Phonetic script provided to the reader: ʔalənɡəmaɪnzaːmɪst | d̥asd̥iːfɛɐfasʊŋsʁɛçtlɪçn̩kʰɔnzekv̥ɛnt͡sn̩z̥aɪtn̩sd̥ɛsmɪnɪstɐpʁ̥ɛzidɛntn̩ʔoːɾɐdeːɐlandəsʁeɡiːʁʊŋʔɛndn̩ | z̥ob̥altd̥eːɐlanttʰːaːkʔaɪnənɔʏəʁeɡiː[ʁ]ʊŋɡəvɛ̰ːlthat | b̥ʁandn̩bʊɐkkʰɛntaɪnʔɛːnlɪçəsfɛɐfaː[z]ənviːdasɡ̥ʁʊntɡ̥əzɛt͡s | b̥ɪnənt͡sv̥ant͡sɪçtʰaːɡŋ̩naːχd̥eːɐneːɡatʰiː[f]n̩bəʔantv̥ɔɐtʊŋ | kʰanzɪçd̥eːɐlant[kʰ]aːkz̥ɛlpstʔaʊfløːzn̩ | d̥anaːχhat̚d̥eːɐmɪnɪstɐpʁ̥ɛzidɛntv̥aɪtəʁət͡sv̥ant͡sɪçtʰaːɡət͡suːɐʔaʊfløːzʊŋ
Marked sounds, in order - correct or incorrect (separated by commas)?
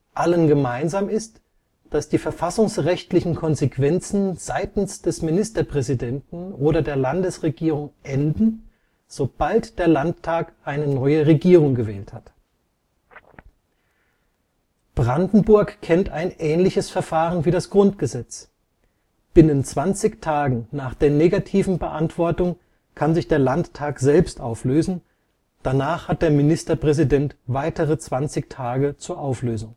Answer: correct, incorrect, incorrect, incorrect